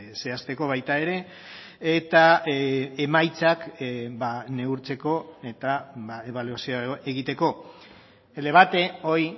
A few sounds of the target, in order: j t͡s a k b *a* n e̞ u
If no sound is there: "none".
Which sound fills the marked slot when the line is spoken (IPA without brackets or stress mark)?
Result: a